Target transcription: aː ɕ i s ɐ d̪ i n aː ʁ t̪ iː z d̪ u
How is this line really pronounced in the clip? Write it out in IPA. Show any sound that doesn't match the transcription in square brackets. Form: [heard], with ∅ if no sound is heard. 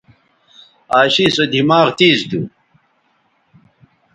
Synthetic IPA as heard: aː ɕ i s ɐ d̪ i [m] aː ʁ t̪ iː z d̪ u